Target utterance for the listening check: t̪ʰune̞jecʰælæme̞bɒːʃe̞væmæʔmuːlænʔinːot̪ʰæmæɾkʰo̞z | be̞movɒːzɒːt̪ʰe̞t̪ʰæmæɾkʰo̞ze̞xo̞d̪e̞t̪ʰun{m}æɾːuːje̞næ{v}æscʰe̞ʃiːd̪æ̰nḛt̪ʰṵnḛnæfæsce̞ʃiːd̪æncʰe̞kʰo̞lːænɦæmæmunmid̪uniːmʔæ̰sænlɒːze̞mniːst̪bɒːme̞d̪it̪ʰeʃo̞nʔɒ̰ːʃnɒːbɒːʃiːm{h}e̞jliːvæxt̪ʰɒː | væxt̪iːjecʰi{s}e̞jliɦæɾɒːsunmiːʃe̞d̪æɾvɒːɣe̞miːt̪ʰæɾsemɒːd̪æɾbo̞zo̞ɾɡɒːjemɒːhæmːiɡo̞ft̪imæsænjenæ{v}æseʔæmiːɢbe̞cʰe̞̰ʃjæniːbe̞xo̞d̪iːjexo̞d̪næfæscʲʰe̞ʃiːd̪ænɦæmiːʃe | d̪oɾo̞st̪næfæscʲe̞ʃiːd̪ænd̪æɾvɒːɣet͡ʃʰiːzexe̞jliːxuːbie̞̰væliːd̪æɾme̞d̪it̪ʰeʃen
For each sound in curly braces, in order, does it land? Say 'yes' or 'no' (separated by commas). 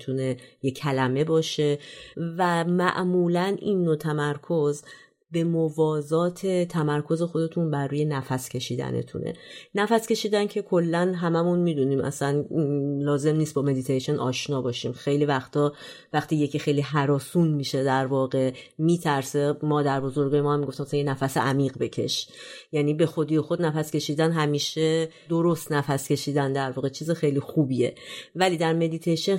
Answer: no, no, no, no, no